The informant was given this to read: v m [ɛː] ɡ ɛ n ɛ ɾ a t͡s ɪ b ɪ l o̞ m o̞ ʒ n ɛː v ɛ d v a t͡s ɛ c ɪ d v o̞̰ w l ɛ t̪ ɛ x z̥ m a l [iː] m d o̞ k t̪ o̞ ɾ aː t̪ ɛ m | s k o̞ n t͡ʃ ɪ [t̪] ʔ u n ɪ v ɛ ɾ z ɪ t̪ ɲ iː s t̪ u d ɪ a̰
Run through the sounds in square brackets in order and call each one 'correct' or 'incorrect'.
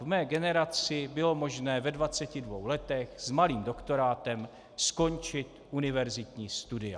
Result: correct, correct, correct

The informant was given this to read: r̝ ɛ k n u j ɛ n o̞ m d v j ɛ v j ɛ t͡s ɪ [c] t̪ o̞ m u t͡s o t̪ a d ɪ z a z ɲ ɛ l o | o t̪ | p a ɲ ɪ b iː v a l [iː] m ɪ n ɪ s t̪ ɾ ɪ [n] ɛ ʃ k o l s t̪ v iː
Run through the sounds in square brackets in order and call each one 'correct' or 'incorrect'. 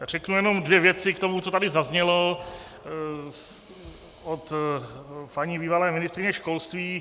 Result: incorrect: k, incorrect: ɛː, incorrect: ɲ

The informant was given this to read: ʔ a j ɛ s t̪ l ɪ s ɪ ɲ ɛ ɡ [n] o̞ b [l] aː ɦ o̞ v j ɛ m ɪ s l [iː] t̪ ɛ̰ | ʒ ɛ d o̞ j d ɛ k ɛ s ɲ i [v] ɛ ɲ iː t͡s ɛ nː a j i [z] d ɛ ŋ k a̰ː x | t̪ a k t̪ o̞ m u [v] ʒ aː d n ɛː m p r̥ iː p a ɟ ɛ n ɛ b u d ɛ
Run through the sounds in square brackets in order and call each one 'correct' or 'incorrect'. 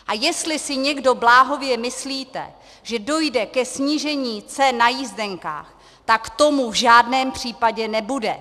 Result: incorrect: d, correct, correct, incorrect: ʒ, correct, correct

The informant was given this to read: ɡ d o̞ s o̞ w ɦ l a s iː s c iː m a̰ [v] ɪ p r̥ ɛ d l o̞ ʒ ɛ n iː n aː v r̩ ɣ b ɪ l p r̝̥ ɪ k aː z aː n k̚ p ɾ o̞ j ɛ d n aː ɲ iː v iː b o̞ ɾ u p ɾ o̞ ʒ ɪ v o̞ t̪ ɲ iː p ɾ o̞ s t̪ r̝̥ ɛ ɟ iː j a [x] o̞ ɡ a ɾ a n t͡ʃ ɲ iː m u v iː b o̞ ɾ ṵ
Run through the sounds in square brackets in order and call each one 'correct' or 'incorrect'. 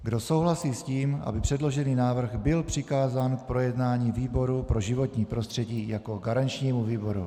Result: incorrect: b, incorrect: k

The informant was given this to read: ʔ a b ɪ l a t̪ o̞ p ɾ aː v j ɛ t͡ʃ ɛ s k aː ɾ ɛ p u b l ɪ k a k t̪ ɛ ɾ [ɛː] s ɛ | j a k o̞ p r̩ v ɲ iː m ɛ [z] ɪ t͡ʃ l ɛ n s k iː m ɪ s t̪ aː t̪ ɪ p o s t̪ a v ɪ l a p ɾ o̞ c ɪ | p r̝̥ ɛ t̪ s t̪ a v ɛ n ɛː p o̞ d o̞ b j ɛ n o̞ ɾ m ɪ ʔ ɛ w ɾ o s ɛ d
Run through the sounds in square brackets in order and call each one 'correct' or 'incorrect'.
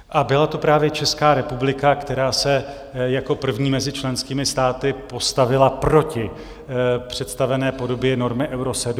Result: incorrect: aː, correct

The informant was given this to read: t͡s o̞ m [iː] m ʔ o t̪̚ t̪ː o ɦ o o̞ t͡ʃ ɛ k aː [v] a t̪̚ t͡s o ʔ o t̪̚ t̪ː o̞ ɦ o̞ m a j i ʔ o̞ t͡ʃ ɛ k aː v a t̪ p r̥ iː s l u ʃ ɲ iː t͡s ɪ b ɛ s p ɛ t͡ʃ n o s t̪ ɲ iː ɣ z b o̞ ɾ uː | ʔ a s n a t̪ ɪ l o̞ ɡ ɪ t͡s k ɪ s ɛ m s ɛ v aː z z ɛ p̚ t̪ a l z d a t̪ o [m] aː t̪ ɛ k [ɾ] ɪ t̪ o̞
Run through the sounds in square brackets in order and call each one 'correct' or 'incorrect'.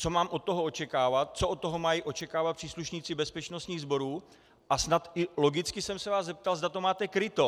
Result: incorrect: aː, correct, correct, correct

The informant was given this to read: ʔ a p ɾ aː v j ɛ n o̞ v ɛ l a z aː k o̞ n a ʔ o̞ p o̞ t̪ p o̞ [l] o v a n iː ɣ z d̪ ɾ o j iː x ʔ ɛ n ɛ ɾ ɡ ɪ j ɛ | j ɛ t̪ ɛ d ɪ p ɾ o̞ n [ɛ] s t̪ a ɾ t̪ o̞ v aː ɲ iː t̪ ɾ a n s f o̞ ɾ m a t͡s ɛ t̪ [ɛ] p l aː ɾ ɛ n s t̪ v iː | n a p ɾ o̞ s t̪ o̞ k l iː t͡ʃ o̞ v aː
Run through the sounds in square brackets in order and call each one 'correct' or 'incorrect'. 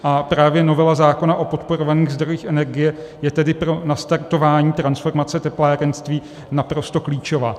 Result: incorrect: ɾ, incorrect: a, correct

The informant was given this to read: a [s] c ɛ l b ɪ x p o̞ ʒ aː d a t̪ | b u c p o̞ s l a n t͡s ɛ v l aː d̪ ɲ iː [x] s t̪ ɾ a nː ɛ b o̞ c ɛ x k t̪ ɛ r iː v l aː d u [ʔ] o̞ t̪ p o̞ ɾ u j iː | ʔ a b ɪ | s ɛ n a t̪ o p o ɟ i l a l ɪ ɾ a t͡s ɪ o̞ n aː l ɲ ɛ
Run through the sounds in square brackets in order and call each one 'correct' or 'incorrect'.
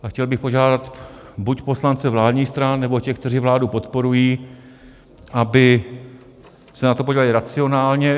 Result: incorrect: x, correct, incorrect: p

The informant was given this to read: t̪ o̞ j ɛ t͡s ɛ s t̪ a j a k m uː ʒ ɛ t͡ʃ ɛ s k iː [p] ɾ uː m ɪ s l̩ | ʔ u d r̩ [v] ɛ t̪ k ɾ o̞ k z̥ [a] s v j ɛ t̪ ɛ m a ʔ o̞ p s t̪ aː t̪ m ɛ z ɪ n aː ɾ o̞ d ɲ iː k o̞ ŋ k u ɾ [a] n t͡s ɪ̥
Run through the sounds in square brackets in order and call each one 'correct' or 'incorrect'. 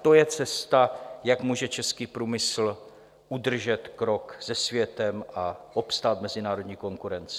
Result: correct, incorrect: ʒ, incorrect: ɛ, incorrect: ɛ

